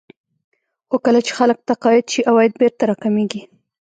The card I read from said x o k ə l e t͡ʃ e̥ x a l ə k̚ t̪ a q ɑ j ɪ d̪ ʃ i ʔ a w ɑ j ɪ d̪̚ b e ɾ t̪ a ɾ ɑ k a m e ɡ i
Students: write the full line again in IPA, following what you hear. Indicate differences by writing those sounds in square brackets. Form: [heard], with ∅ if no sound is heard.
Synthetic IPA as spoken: x o k ə l [a] t͡ʃ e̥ x a l ə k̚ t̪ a q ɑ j ɪ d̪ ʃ i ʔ a w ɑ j ɪ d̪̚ b e ɾ t̪ a ɾ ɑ k a m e ɡ i